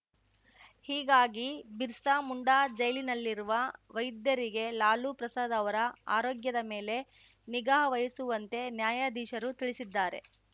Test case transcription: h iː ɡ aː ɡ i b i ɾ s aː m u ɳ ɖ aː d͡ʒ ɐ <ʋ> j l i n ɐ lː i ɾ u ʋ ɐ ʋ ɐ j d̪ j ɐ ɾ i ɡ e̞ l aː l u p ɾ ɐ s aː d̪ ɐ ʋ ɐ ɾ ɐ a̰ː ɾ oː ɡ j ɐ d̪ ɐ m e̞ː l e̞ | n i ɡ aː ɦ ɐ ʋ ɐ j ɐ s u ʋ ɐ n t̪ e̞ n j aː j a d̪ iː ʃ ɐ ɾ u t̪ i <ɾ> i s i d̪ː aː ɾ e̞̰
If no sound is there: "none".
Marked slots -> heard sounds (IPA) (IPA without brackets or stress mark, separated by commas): none, ɭ